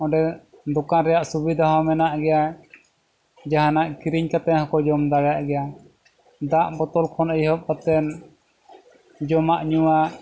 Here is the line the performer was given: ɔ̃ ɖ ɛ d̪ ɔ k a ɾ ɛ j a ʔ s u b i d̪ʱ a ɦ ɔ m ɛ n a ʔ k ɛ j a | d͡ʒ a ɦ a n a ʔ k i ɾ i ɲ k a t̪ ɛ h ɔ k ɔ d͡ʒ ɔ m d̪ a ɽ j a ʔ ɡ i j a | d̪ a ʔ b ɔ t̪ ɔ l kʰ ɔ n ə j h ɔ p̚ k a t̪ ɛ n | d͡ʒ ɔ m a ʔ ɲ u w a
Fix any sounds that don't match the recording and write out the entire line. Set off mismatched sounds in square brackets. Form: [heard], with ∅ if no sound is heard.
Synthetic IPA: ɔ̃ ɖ ɛ d̪ ɔ k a ɾ ɛ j a ʔ s u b i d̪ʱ a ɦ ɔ m ɛ n a ʔ [ɡ] ɛ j a | d͡ʒ a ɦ a n a ʔ k i ɾ i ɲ k a t̪ ɛ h ɔ k ɔ d͡ʒ ɔ m d̪ a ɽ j a ʔ ɡ [ɛ] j a | d̪ a ʔ b ɔ t̪ ɔ l kʰ ɔ n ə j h ɔ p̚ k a t̪ ɛ n | d͡ʒ ɔ m a ʔ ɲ u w a